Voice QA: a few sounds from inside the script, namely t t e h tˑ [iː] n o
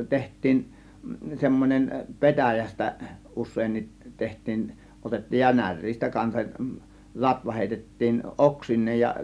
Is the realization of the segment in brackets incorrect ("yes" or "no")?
no